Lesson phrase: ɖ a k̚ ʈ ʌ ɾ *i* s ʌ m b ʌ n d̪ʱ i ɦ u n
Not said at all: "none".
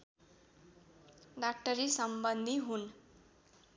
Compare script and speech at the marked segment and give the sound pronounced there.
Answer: i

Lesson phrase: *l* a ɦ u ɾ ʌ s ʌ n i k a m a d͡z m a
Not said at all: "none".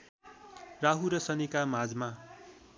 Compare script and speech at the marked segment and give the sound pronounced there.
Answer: r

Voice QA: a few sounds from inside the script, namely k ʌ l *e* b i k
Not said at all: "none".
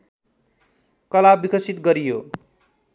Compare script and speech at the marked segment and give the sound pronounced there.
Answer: a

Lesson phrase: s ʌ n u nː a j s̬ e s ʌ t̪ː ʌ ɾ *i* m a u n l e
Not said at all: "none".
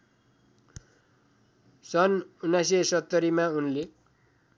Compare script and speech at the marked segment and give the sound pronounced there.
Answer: i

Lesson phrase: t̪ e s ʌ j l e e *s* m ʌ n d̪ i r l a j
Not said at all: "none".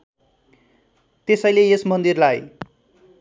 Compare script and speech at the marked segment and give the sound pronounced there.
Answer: s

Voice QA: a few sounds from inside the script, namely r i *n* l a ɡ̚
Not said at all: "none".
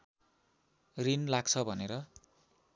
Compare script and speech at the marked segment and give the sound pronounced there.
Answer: n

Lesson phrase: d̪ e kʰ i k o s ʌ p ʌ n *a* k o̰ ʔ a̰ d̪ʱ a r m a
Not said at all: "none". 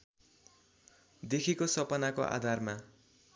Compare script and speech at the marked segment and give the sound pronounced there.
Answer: a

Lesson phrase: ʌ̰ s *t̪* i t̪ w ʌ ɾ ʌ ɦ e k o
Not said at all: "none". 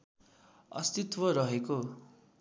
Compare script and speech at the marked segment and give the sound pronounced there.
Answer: t̪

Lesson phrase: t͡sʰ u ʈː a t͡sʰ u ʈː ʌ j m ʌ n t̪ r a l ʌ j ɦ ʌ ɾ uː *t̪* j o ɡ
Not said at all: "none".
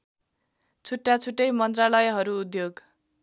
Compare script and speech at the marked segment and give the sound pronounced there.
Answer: d̪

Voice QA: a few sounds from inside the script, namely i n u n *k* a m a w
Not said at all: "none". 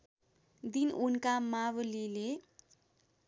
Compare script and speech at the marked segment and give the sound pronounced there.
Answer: k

